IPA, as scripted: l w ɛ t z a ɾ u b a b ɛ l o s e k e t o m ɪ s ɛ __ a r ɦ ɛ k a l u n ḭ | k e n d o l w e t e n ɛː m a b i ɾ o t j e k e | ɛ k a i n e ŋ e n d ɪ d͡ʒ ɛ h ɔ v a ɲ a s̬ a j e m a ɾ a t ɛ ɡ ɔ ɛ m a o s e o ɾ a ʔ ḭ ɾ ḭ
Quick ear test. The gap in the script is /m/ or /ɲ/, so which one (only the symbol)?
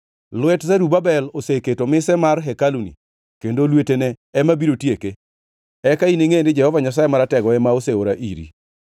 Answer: m